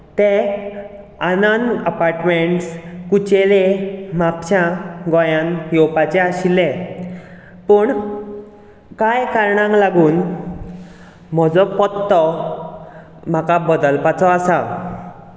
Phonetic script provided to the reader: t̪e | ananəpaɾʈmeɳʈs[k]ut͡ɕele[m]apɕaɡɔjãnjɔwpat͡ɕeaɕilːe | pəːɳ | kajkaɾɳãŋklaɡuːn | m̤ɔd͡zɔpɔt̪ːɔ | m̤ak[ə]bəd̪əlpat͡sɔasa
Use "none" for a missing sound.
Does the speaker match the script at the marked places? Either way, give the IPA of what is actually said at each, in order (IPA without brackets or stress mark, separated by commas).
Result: k, m, a